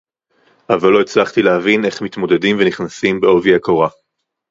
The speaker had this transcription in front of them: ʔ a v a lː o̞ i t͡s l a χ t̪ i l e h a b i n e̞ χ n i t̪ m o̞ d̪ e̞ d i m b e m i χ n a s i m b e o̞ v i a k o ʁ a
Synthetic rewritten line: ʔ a v a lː o̞ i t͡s l a χ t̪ i l e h a v i n e̞ χ m i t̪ m o̞ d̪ e̞ d i m v e n i χ n a s i m b e o̞ v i a k o ʁ a